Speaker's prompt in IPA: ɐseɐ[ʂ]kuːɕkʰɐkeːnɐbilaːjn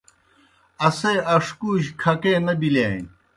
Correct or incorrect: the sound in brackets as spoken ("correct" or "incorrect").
correct